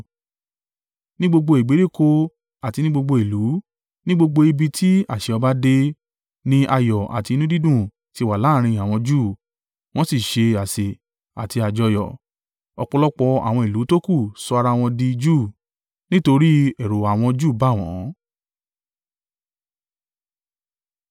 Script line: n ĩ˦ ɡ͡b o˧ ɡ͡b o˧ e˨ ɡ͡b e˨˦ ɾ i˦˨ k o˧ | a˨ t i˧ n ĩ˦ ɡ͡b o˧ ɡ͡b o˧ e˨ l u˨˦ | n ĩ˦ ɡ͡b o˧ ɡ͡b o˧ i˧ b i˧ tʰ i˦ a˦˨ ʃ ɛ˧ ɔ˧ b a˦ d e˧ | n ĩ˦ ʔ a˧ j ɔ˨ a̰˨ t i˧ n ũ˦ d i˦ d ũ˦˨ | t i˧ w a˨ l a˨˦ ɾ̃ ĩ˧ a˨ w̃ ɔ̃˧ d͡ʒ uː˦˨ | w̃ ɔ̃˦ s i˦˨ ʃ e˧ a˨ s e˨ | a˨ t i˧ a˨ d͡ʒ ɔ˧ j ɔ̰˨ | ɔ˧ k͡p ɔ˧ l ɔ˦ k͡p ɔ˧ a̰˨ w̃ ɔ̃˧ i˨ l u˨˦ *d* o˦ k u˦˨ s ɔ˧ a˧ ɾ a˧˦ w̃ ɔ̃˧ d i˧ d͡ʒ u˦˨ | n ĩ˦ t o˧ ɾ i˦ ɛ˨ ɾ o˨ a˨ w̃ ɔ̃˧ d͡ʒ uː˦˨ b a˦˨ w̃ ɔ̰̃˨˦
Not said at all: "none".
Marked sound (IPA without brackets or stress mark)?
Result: t